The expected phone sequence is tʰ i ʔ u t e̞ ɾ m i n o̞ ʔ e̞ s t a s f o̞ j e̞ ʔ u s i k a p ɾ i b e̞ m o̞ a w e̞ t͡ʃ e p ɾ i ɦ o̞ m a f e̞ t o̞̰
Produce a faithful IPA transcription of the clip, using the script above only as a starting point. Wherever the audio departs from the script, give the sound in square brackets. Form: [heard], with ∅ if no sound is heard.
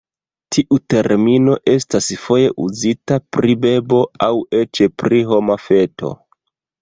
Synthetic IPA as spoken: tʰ i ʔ u t e̞ ɾ m i n o̞ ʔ e̞ s t a s f o̞ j e̞ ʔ u [z] i [t] a p ɾ i b e̞ [b] o̞ a w e̞ t͡ʃ e p ɾ i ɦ o̞ m a f e̞ t o̞̰